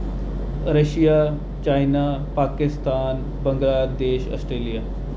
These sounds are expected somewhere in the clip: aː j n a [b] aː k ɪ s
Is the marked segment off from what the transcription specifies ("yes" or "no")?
yes